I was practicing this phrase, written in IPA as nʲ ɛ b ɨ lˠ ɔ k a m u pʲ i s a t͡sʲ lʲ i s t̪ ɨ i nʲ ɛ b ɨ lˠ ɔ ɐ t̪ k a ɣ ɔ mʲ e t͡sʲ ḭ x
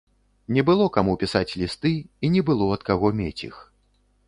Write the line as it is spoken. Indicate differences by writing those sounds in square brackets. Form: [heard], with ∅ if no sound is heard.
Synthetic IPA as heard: nʲ ɛ b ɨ lˠ ɔ k a m u pʲ i s a t͡sʲ lʲ i s t̪ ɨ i nʲ ɛ b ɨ lˠ ɔ ɐ t̪ k a ɣ ɔ mʲ e t͡sʲ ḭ x